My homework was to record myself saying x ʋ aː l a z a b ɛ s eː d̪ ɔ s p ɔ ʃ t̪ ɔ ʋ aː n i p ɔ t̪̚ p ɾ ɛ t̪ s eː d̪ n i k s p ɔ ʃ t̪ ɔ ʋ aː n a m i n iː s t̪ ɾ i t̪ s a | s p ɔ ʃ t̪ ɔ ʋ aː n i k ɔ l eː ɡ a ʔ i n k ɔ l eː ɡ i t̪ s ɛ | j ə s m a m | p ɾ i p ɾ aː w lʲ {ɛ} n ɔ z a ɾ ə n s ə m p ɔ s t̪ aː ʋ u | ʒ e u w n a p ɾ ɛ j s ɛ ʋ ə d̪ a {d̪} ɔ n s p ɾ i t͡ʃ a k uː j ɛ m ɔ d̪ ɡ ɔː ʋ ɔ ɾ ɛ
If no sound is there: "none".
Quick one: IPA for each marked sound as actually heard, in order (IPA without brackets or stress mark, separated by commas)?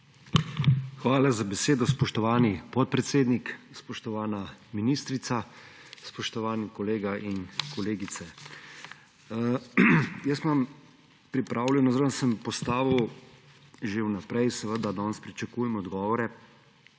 ɛ, d̪